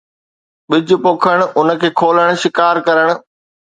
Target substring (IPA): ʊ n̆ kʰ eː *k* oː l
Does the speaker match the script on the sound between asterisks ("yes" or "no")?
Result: no